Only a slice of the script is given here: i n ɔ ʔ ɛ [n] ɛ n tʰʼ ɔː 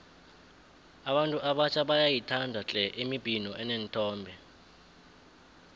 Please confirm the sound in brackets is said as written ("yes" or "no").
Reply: yes